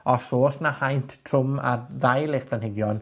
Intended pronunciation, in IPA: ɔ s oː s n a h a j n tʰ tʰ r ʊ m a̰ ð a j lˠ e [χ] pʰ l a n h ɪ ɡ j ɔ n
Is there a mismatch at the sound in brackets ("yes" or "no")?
no